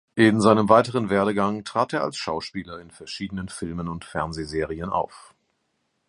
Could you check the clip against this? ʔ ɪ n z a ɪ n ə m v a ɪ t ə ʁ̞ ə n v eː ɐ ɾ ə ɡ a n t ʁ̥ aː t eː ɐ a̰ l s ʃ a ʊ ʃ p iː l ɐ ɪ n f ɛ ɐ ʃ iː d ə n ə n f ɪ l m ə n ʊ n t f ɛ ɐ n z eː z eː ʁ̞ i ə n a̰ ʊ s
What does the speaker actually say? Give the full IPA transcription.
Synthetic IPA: ʔ ɪ n z a ɪ n ə m v a ɪ t ə ʁ̞ ə n v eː ɐ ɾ ə ɡ a ŋ t ʁ̥ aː t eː ɐ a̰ l s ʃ a ʊ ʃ p iː l ɐ ɪ n f ɛ ɐ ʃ iː d ə n ə n f ɪ l m ə n ʊ n t f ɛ ɐ n z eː z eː ʁ̞ i ə n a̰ ʊ f